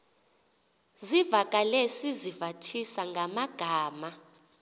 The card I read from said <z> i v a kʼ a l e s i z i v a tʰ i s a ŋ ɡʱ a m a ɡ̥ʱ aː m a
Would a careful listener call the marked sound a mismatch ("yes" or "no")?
no